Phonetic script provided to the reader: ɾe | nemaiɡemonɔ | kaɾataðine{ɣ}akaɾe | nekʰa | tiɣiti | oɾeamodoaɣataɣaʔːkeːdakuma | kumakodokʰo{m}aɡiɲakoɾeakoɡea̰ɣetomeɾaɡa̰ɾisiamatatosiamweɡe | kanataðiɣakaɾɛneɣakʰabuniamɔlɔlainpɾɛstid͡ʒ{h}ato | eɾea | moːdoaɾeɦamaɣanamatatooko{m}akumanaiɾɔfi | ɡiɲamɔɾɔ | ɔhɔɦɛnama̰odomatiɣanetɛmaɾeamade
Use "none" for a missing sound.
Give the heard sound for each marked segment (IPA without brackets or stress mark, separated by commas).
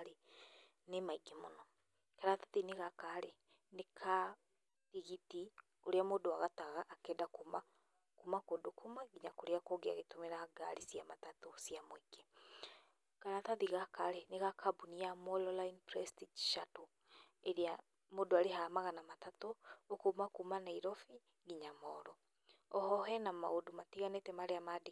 ɣ, m, ʃ, m